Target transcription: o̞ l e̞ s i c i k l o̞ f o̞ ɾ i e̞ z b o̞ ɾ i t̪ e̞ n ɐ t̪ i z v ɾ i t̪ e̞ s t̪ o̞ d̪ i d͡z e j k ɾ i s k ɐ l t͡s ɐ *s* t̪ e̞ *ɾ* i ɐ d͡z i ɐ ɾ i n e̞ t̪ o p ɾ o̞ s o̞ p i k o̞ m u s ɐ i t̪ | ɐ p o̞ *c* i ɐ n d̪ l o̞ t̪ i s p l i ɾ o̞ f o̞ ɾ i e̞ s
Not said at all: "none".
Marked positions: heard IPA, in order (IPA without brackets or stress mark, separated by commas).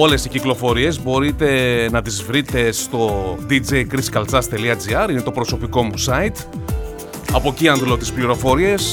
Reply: s, l, c